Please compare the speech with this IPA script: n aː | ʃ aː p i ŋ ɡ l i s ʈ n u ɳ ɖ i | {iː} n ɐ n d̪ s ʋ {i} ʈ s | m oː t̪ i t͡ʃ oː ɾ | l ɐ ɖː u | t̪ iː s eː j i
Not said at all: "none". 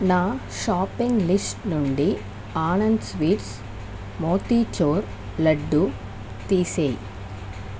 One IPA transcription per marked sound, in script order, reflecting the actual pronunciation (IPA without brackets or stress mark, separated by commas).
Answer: aː, iː